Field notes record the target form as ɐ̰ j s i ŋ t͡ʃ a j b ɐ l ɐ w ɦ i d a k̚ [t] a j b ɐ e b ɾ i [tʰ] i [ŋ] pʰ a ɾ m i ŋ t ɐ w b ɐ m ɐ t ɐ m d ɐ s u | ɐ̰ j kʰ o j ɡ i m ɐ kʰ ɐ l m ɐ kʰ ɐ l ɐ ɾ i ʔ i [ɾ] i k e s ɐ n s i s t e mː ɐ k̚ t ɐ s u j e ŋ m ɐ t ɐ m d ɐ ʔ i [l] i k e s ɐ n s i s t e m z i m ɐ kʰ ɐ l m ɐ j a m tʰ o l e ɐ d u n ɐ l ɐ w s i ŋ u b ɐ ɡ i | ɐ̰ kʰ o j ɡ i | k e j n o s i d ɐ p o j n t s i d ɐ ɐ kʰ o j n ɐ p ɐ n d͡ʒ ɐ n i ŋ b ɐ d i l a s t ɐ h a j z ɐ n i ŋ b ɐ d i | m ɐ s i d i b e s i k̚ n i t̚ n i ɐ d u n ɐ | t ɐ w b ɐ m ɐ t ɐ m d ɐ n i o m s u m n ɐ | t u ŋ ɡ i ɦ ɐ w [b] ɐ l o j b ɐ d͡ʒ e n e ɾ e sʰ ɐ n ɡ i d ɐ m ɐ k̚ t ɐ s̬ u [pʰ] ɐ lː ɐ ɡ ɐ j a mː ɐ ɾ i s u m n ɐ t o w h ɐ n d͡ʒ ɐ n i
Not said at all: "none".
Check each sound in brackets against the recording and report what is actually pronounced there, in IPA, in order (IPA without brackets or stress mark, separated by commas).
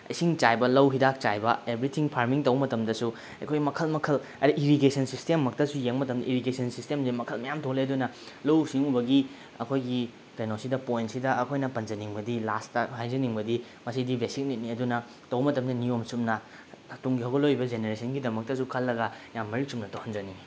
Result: t͡ʃ, tʰ, ŋ, ɾ, ɾ, ɡ, kʰ